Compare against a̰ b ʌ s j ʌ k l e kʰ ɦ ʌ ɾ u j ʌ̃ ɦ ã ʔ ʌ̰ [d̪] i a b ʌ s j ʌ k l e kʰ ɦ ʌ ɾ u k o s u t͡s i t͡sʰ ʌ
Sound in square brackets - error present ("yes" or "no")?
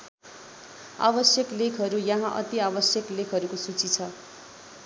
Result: yes